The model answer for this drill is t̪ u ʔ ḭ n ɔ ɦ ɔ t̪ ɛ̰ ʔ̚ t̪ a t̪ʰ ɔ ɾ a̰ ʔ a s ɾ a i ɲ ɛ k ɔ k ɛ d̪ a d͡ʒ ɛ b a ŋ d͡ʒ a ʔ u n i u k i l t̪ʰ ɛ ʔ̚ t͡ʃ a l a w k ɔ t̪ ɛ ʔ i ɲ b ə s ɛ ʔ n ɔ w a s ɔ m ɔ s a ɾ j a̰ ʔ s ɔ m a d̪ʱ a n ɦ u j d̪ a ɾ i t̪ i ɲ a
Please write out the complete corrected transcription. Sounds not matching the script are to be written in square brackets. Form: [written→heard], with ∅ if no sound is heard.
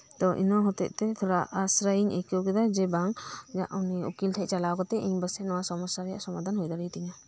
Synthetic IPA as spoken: t̪ [u→ɔ] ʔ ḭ n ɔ ɦ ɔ t̪ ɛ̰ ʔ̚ t̪ [a→ɛ] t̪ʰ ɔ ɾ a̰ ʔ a s ɾ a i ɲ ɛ k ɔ k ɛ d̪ a d͡ʒ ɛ b a ŋ d͡ʒ a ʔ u n i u k i l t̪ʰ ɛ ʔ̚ t͡ʃ a l a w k ɔ t̪ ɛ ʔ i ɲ b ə s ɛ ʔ n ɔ w a s ɔ m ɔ s a ɾ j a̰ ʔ s ɔ m a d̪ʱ a n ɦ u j d̪ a ɾ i t̪ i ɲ a